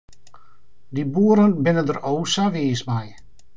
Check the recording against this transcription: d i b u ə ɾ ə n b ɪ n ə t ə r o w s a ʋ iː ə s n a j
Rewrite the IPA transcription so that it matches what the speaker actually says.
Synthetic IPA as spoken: d i b u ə ɾ ə n b ɪ n ə d ə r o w s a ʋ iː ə s m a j